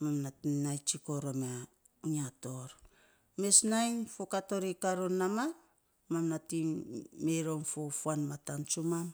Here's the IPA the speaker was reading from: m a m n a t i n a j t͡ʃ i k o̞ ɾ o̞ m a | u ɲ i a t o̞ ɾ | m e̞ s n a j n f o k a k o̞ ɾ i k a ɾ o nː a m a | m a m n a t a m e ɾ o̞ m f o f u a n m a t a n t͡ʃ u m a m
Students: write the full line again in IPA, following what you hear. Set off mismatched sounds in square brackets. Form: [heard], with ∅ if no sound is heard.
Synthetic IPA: m a m n a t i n a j t͡ʃ i k o̞ ɾ o̞ m a | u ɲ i a t o̞ ɾ | m e̞ s n a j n f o k a [t] o̞ ɾ i k a ɾ o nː a m a | m a m n a t [i] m e ɾ o̞ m f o f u a n m a t a n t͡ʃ u m a m